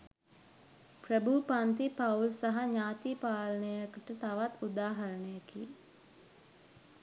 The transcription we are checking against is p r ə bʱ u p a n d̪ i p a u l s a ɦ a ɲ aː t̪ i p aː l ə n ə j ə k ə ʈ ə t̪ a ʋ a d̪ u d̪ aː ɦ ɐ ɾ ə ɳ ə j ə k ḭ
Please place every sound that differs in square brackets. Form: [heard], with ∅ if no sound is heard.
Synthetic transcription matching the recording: p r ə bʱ u p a n [t̪] i p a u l s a ɦ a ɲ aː t̪ i p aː l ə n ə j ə k ə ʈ ə t̪ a ʋ a [t̪] u d̪ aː ɦ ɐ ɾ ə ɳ ə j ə k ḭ